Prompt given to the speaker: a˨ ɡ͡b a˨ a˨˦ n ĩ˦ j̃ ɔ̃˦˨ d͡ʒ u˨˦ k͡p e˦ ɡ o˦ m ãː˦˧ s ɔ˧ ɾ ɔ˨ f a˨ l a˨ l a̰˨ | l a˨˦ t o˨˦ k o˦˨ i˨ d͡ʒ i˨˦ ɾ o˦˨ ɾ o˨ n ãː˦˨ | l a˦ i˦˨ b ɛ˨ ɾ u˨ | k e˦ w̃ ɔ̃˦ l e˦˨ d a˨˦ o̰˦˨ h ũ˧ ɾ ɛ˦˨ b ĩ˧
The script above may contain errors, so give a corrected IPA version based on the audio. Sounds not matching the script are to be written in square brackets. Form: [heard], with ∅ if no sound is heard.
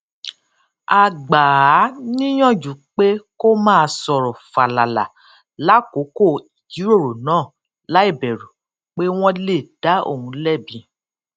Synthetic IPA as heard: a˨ ɡ͡b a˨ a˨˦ n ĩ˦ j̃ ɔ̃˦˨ d͡ʒ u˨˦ k͡p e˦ [k] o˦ m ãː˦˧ s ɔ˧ ɾ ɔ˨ f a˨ l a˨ l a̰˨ | l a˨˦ [k] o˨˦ k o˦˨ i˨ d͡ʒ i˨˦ ɾ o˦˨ ɾ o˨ n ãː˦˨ | l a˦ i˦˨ b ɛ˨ ɾ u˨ | [k͡p] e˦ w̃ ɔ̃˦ l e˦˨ d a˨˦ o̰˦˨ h ũ˧ [l] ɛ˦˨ b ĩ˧